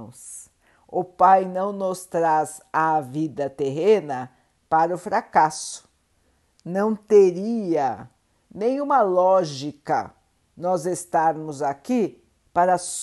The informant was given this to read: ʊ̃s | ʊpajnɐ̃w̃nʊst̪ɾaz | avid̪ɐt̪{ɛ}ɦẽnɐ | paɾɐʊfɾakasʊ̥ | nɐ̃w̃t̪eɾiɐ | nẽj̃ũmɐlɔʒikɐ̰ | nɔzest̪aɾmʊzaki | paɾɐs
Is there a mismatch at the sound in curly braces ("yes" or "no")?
yes